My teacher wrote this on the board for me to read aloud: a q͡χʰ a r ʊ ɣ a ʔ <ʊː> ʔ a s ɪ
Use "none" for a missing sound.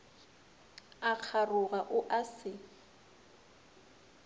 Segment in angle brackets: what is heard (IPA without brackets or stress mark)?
ʊ